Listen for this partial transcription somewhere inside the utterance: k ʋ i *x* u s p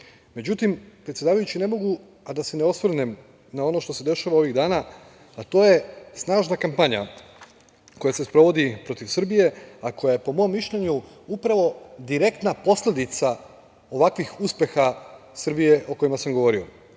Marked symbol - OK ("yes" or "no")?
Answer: yes